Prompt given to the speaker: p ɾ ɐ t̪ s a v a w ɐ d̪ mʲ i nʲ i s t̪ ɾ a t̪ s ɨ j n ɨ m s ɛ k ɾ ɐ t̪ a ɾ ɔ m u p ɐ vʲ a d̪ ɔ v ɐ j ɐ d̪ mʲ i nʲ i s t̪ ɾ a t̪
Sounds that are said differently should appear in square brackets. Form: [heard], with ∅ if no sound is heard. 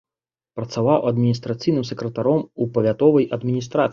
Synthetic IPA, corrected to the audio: p ɾ ɐ t̪ s a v a w ɐ d̪ mʲ i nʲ i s t̪ ɾ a t̪ s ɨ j n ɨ m s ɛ k ɾ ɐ t̪ a ɾ ɔ m u p ɐ vʲ a [t̪] ɔ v ɐ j ɐ d̪ mʲ i nʲ i s t̪ ɾ a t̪